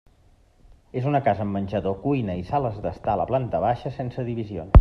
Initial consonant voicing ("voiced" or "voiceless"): voiced